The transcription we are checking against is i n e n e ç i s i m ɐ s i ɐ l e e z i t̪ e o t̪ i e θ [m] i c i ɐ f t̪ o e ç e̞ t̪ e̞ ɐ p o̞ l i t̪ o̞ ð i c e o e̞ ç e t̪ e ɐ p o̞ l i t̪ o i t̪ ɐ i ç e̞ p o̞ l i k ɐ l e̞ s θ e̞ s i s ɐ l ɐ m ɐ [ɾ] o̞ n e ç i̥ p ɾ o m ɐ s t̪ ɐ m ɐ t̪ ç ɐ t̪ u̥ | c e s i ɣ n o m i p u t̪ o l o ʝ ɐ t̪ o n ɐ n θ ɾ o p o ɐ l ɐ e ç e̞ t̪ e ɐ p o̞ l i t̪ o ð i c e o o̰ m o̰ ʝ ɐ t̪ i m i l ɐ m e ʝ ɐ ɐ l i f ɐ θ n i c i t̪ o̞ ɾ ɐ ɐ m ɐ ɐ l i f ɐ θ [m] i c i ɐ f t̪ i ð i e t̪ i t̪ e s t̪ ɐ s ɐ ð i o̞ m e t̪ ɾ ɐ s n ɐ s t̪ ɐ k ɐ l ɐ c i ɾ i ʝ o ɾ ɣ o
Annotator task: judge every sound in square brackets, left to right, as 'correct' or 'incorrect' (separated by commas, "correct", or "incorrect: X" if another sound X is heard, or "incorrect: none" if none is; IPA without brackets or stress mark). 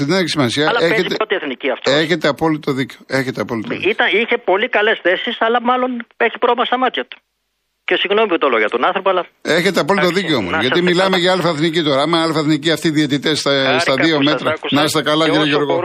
incorrect: n, incorrect: l, incorrect: n